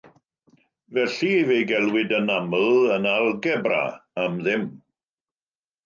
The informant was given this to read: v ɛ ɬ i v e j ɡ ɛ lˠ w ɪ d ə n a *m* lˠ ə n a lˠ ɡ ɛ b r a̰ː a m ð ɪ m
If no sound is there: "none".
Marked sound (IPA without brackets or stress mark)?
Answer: m